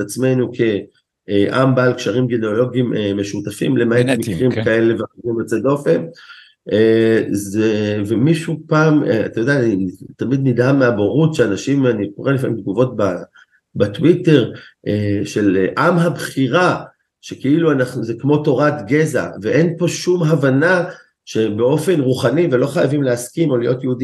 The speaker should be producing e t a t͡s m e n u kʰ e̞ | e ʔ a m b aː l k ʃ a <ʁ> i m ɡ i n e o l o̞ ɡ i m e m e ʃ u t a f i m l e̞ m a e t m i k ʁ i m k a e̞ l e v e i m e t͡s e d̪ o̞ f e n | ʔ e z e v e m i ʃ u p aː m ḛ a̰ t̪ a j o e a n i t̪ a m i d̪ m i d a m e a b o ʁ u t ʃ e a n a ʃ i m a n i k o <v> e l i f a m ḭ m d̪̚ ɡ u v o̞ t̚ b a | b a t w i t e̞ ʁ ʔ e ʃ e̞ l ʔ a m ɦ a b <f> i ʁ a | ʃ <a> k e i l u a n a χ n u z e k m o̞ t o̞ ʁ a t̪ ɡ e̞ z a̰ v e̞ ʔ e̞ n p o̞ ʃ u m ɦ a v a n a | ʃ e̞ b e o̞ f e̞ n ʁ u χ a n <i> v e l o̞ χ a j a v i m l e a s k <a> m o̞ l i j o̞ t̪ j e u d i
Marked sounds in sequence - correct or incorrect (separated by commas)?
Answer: correct, incorrect, incorrect, incorrect, correct, incorrect